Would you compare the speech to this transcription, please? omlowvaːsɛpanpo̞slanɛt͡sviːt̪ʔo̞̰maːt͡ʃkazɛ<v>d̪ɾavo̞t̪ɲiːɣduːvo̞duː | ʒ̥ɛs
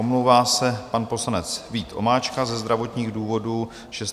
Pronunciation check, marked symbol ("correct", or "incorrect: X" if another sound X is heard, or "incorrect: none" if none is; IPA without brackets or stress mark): incorrect: z